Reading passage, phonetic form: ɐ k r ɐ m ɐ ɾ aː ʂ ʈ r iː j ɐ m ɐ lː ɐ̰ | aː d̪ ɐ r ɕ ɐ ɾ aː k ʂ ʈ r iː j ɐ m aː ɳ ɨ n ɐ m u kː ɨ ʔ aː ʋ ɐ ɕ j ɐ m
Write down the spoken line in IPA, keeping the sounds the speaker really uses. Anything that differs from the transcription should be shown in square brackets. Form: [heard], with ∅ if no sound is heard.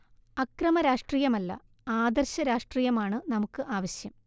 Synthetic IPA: ɐ k r ɐ m ɐ ɾ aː ʂ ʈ r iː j ɐ m ɐ lː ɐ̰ | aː d̪ ɐ r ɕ ɐ ɾ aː [∅] ʂ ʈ r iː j ɐ m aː ɳ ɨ n ɐ m u kː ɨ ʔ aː ʋ ɐ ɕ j ɐ m